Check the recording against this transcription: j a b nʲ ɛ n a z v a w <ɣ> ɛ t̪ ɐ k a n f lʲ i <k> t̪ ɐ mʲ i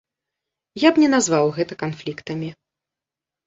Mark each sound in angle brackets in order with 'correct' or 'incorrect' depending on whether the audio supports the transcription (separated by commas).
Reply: correct, correct